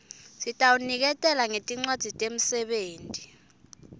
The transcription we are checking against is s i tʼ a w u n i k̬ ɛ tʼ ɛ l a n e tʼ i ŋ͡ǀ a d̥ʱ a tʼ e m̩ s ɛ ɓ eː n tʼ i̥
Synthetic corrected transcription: s i tʼ a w u n i k̬ ɛ tʼ ɛ l a ŋ e tʼ i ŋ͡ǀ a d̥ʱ i tʼ e m̩ s ɛ ɓ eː n tʼ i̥